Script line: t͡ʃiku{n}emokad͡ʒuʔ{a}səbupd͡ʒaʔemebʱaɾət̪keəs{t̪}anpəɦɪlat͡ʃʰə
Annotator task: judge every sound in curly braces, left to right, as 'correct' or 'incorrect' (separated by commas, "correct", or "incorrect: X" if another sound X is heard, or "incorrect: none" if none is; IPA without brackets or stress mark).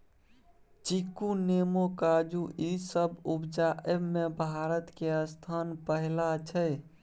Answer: correct, incorrect: i, incorrect: t̪ʰ